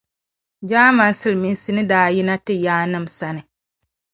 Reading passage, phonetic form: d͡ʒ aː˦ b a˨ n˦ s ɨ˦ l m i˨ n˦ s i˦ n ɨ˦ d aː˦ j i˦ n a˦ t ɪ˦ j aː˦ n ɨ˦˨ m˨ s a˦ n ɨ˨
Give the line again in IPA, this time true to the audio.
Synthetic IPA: d͡ʒ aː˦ m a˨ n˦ s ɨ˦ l m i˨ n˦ s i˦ n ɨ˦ d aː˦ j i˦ n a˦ t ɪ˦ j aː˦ n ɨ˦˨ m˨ s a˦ n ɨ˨